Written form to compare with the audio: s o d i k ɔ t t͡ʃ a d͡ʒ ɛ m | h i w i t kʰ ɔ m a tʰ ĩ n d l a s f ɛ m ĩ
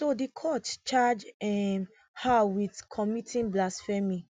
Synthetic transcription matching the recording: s o d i kʰ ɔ t t͡ʃ a d͡ʒ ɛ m | h a w i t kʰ ɔ m i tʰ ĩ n b l a s f ɛ m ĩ